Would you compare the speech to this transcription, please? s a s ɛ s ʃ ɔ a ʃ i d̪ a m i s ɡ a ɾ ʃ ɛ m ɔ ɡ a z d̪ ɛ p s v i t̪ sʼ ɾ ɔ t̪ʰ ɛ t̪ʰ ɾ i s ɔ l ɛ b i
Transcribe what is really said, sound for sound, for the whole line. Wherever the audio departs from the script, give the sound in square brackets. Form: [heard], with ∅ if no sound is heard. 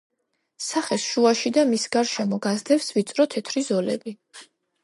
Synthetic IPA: s a [χ] ɛ s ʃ [u] a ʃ i d̪ a m i s ɡ a ɾ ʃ ɛ m ɔ ɡ a z d̪ ɛ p s v i t̪ sʼ ɾ ɔ t̪ʰ ɛ t̪ʰ ɾ i [z] ɔ l ɛ b i